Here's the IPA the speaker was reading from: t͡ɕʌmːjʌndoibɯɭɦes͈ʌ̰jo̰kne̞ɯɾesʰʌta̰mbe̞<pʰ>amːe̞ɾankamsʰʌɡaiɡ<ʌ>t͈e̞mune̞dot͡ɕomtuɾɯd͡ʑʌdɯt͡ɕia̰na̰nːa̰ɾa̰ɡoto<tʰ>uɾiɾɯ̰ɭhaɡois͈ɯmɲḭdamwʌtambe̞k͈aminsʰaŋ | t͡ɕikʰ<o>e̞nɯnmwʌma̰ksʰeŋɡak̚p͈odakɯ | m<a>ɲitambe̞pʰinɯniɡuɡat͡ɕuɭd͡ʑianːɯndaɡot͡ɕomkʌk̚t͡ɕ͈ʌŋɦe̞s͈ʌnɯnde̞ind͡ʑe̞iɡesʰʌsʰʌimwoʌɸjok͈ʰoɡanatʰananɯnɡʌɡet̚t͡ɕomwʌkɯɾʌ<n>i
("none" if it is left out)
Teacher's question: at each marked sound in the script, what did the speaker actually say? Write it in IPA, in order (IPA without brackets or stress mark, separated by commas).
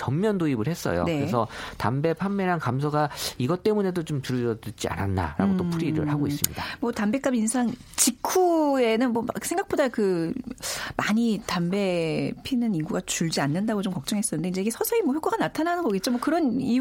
pʰ, ʌ, pʰ, u, a, n